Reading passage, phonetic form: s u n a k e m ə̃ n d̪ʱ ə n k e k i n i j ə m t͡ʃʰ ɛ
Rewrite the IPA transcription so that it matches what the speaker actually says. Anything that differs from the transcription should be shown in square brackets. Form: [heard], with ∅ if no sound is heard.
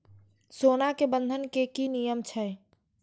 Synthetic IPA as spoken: s [o] n a k e [b] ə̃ n d̪ʱ ə n k e k i n i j ə m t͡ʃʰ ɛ